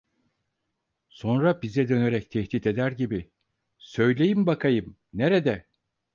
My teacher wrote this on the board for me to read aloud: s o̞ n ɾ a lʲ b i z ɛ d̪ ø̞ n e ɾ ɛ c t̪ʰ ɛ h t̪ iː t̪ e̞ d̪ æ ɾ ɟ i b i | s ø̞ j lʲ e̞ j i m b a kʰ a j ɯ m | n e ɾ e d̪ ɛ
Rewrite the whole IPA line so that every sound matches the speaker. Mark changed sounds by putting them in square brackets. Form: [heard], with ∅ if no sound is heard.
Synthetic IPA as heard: s o̞ n ɾ a [∅] b i z ɛ d̪ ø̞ n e ɾ ɛ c t̪ʰ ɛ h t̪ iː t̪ e̞ d̪ æ ɾ ɟ i b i | s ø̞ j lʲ e̞ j i m b a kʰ a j ɯ m | n e ɾ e d̪ ɛ